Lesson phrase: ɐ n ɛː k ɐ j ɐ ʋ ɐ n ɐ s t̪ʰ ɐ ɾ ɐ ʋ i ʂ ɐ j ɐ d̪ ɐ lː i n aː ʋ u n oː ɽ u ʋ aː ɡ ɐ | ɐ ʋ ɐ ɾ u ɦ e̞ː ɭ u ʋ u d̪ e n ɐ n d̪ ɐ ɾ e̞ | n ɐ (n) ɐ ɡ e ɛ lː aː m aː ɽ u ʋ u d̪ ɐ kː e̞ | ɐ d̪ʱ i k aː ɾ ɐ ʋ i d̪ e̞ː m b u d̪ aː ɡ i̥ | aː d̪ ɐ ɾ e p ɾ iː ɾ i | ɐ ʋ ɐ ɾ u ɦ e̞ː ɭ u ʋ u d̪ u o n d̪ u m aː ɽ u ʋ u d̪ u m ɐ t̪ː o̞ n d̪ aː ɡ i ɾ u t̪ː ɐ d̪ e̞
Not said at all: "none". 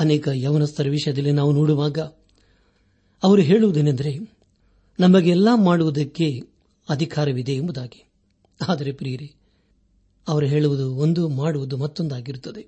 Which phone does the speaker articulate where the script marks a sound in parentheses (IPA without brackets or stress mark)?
m